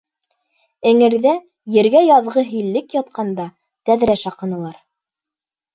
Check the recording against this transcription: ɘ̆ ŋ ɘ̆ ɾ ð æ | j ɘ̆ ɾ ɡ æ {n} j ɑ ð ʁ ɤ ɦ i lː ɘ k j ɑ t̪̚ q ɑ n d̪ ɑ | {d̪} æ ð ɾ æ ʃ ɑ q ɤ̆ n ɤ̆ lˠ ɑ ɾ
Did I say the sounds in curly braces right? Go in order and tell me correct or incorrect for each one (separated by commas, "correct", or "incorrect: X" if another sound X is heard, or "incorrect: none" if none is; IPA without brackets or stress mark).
incorrect: none, incorrect: t̪